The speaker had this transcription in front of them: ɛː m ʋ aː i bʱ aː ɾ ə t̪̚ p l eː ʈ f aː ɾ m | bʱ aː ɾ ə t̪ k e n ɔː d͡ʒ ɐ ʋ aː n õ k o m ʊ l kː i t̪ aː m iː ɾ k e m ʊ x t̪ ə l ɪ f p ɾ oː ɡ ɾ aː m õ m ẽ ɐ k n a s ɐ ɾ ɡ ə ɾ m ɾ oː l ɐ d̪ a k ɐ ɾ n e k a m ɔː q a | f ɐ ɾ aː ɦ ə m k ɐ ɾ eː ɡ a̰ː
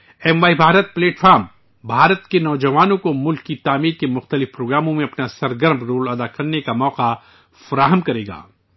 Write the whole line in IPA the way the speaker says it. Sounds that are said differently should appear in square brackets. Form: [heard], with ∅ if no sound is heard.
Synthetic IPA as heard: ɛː m ʋ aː i bʱ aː ɾ ə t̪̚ p l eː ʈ f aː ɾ m | bʱ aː ɾ ə t̪ k e n ɔː d͡ʒ ɐ ʋ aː n õ k o m ʊ l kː i t̪ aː m iː ɾ k e m ʊ x t̪ ə l ɪ f p ɾ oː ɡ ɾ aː m õ m ẽ ɐ [p] n a s ɐ ɾ ɡ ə ɾ m ɾ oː l ɐ d̪ a k ɐ ɾ n e k a m ɔː q a | f ɐ ɾ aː ɦ ə m k ɐ ɾ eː ɡ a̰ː